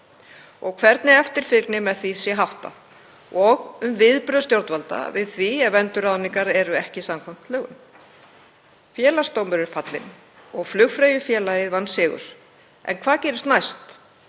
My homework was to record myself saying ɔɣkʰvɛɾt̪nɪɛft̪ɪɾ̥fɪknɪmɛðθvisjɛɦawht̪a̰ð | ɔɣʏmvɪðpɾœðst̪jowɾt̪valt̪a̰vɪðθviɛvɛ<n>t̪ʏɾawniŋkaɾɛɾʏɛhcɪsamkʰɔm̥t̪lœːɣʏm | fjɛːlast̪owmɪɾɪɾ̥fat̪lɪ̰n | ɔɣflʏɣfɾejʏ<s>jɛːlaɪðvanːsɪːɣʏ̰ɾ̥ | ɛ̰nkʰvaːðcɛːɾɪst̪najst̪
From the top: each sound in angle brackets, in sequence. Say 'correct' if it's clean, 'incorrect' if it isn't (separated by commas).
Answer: correct, incorrect